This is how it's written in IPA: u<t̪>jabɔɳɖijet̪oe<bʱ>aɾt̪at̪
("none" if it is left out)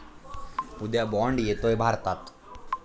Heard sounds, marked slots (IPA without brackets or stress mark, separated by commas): d̪, bʱ